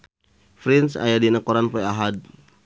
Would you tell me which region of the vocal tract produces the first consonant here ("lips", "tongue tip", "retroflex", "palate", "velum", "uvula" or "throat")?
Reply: lips